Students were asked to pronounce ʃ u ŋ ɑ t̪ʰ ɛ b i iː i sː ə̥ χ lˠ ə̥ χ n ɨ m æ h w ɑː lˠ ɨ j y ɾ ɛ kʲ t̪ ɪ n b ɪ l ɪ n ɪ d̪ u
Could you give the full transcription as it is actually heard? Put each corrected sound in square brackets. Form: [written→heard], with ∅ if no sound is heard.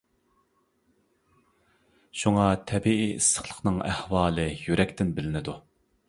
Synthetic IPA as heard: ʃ u ŋ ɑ t̪ʰ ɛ b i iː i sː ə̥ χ lˠ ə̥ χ n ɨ [m→ŋ] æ h w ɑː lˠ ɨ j y ɾ ɛ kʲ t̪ ɪ n b ɪ l ɪ n ɪ d̪ u